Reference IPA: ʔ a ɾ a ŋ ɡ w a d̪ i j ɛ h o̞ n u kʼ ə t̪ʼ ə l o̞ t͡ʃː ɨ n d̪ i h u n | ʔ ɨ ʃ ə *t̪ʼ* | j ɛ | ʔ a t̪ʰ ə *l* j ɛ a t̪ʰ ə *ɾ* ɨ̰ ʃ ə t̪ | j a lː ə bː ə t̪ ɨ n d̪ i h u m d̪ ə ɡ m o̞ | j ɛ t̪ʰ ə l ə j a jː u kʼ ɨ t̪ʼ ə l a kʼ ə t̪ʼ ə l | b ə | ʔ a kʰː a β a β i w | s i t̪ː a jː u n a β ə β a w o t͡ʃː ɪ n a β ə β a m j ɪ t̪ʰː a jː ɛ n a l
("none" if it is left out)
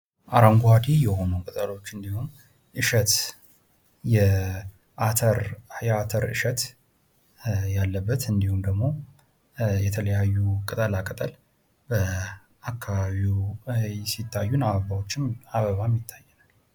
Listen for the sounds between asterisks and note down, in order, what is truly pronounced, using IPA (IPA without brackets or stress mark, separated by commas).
t̪, ɾ, ɾ